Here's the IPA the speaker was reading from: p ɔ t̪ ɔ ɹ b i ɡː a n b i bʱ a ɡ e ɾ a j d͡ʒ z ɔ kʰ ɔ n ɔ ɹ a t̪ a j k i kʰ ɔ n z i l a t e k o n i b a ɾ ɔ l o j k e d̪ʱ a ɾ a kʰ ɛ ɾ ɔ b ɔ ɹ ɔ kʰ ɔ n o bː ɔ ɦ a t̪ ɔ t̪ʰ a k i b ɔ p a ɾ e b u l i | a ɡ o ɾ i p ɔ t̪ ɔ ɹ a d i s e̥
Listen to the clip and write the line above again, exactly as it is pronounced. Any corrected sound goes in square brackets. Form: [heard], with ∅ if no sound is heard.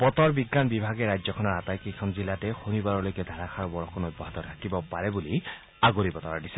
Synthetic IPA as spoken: p ɔ t̪ ɔ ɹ b i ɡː a n b i bʱ a ɡ e ɾ a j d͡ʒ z ɔ kʰ ɔ n ɔ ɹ a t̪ a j k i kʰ ɔ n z i l a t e [x] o n i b a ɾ ɔ l o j k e d̪ʱ a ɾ a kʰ [a] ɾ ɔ b ɔ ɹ ɔ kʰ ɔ n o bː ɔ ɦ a t̪ ɔ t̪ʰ a k i b ɔ p a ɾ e b u l i | a ɡ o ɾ i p ɔ t̪ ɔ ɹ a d i s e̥